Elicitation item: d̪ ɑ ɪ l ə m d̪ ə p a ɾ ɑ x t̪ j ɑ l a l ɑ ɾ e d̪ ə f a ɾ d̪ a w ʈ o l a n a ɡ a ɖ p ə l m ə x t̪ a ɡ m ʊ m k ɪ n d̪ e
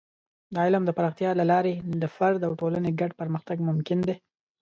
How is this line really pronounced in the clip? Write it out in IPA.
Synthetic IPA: d̪ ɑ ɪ l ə m d̪ ə p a ɾ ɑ x t̪ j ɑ l a l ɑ ɾ e d̪ ə f a ɾ d̪ a w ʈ o l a n e ɡ a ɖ p ə ɾ m ə x t̪ a ɡ m ʊ m k ɪ n d̪ e

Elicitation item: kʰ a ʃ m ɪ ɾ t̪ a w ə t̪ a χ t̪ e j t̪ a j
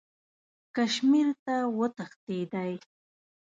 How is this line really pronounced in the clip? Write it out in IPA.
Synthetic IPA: k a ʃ m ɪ ɾ t̪ a w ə t̪ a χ t̪ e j d̪ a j

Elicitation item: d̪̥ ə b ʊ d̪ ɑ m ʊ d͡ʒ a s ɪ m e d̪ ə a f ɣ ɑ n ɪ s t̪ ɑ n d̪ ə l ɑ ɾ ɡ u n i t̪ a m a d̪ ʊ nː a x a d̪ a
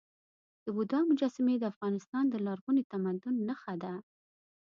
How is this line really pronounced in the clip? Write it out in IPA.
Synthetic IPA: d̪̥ ə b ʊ d̪ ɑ m ʊ d͡ʒ ɑ s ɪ m e d̪ ə a f ɣ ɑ n ɪ s t̪ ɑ n d̪ ə l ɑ ɾ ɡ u n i t̪ a m a d̪ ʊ nː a x a d̪ a

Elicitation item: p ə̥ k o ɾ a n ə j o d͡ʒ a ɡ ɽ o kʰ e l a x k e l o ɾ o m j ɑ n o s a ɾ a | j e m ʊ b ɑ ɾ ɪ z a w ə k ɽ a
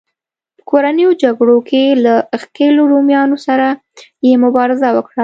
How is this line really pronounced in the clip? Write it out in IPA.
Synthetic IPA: p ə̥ k o ɾ a n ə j o d͡ʒ a ɡ ɽ o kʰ e l a x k e l o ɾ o m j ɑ n o s a ɾ a | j e m ʊ b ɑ ɾ ɪ z a w ə k ɽ a

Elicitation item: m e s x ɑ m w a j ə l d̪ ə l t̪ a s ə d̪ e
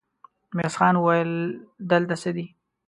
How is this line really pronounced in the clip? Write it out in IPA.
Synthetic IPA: m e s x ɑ n w a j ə l d̪ ə l t̪ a s ə d̪ i

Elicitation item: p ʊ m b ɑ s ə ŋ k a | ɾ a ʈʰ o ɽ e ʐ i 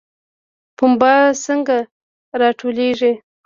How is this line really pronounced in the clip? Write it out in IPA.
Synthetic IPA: p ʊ m b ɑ s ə ŋ ɡ a | ɾ ɑ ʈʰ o l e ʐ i

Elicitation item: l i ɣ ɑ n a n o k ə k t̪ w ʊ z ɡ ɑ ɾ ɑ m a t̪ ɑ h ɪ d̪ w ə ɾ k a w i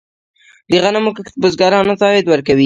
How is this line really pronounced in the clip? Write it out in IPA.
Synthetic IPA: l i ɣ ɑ n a m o k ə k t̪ b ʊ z ɡ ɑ ɾ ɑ n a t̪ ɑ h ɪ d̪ w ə ɾ k a w i

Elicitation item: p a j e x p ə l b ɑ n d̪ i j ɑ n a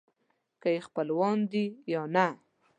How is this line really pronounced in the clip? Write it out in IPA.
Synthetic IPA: k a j e x p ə l w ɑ n d̪ i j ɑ n a

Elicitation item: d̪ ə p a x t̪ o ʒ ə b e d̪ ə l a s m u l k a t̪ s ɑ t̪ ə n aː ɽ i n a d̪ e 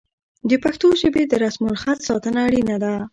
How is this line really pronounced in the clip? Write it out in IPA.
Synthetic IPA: d̪ ə p a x t̪ o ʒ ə b e d̪ ə ɾ a s m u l x a t̪ s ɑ t̪ ə n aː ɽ i n a d̪ a

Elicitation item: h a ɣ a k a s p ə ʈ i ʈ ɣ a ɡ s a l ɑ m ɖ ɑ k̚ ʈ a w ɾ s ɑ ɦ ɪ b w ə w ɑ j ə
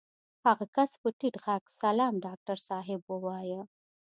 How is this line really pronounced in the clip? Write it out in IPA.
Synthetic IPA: h a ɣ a k a s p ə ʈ i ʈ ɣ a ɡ s a l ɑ m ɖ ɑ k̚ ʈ a ɾ s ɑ ɦ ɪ b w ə w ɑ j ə

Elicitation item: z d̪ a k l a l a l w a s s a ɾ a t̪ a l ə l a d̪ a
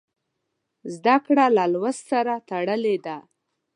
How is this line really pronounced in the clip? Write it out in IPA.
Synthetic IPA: z d̪ a k ɽ a l a l w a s s a ɾ a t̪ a ɽ ə l e d̪ a

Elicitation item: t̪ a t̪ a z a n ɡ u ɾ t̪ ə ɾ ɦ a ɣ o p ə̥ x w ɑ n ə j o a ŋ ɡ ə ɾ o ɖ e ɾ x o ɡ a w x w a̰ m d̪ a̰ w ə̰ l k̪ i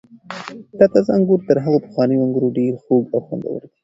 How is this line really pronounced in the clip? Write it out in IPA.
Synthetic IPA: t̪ a t̪ a z a ŋ ɡ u ɾ t̪ ə ɾ ɦ a ɣ o p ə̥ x w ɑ n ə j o a ŋ ɡ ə ɾ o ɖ e ɾ x o ɡ a w x w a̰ n d̪ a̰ w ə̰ ɾ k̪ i

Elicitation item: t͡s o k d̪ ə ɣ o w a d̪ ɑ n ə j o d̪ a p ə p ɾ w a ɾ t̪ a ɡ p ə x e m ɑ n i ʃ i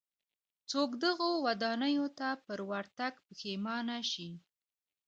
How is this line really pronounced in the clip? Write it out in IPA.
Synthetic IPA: t͡s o k d̪ ə ɣ o w a d̪ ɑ n ə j o t̪ a p ə ɾ w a ɾ t̪ a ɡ p ə x e m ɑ n a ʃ i

